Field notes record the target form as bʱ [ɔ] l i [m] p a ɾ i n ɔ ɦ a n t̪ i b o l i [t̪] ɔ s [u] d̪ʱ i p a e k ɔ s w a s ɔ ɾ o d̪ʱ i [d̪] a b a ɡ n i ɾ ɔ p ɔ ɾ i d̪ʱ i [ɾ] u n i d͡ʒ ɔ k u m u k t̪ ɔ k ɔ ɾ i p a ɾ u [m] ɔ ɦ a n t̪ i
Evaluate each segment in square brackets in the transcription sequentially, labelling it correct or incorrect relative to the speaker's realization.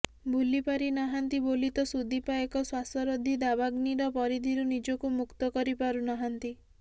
incorrect: u, incorrect: none, correct, correct, correct, correct, incorrect: n

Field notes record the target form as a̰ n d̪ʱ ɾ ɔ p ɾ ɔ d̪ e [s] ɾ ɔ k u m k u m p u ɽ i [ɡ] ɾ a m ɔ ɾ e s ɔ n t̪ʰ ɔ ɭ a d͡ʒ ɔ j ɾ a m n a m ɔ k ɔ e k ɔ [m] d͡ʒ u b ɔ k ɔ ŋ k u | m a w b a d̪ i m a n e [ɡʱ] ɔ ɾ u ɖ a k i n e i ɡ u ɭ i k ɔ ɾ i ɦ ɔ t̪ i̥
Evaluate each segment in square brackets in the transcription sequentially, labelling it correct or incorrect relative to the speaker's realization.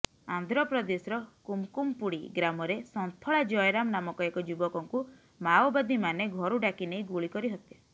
correct, correct, incorrect: none, correct

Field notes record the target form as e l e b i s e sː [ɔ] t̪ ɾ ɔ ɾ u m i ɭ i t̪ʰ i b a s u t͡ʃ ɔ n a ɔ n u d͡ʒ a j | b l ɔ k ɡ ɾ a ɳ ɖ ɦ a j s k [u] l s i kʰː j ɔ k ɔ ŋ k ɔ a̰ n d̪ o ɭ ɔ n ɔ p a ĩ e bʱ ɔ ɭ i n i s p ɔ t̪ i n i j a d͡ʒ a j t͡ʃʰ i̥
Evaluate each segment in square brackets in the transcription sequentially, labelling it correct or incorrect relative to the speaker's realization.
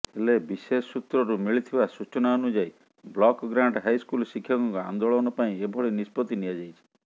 incorrect: u, correct

